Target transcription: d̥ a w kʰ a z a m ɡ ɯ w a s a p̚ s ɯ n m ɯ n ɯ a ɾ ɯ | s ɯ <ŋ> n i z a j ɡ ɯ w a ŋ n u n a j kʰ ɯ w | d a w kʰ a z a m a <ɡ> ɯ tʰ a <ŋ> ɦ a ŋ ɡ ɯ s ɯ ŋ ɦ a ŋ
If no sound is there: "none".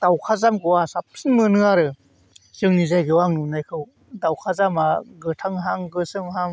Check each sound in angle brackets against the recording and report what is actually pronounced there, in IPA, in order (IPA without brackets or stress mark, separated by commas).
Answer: ŋ, ɡ, ŋ